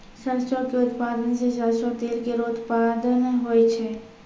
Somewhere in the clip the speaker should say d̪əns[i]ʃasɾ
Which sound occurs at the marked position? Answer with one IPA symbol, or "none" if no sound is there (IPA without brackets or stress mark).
e